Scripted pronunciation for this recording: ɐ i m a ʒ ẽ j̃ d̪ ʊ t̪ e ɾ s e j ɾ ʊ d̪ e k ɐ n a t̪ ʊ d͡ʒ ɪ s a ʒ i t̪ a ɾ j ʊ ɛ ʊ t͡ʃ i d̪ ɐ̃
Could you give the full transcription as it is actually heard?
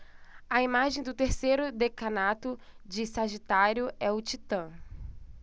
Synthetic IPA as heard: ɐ i m a ʒ ẽ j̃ d̪ ʊ t̪ e ɾ s e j ɾ ʊ d̪ e k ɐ n a t̪ ʊ d͡ʒ ɪ s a ʒ i t̪ a ɾ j ʊ ɛ ʊ t͡ʃ i t̪ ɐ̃